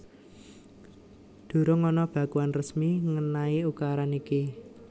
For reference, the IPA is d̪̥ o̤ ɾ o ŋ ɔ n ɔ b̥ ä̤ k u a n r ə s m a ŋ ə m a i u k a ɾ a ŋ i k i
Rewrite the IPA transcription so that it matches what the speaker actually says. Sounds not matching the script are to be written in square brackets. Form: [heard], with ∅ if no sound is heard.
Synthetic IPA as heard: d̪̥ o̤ ɾ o ŋ ɔ n ɔ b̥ ä̤ k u a n r ə s m [i] ŋ ə [n] a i u k a ɾ a [n] i k i